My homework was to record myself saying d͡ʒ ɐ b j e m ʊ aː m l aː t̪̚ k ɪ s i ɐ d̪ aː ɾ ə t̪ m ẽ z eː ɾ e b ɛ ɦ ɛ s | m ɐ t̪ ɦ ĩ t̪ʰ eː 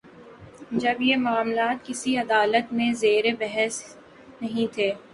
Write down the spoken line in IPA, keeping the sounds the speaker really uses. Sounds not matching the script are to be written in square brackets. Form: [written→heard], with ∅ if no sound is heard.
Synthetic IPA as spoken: d͡ʒ ɐ b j e m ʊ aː m l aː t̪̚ k ɪ s i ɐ d̪ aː [ɾ→l] ə t̪ m ẽ z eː ɾ e b ɛ ɦ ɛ s | [m→n] ɐ [t̪→∅] ɦ ĩ t̪ʰ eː